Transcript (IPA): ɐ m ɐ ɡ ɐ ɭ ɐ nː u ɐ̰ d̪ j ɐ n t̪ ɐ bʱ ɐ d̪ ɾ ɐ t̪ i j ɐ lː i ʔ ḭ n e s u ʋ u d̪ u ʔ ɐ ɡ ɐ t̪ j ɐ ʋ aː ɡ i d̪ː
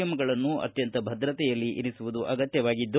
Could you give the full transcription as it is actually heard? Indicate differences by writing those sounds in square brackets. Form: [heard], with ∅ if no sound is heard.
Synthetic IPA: ɐ m ɐ ɡ ɐ ɭ ɐ nː u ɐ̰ [t̪] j ɐ n t̪ ɐ bʱ ɐ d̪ ɾ ɐ t̪ [ɛ] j ɐ lː i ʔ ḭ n [i] s u ʋ u d̪ u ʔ ɐ ɡ ɐ t̪ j ɐ ʋ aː ɡ i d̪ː